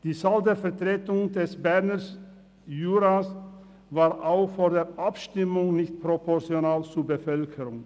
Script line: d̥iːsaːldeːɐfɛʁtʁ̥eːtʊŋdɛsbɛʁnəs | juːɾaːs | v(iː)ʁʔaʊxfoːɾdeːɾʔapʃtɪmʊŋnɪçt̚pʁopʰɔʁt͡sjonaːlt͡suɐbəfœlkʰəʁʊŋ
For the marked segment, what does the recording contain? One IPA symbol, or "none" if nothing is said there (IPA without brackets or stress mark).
aː